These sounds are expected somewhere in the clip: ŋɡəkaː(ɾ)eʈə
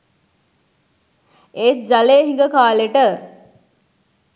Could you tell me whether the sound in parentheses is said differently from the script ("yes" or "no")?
yes